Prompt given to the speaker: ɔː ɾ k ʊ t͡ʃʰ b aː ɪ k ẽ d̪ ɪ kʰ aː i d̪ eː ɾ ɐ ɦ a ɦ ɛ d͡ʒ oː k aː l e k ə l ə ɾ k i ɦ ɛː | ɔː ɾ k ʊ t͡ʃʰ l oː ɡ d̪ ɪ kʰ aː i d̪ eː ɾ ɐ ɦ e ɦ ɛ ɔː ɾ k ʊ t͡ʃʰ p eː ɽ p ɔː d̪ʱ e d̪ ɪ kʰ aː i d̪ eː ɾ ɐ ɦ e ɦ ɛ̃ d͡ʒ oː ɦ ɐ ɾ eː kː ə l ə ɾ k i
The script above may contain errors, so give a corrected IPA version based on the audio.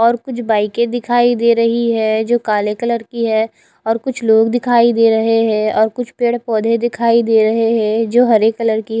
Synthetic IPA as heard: ɔː ɾ k ʊ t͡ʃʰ b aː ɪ k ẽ d̪ ɪ kʰ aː i d̪ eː ɾ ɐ ɦ i ɦ ɛ d͡ʒ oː k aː l e k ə l ə ɾ k i ɦ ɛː | ɔː ɾ k ʊ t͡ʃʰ l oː ɡ d̪ ɪ kʰ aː i d̪ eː ɾ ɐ ɦ e ɦ ɛ ɔː ɾ k ʊ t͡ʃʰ p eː ɽ p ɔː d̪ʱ e d̪ ɪ kʰ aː i d̪ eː ɾ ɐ ɦ e ɦ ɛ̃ d͡ʒ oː ɦ ɐ ɾ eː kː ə l ə ɾ k i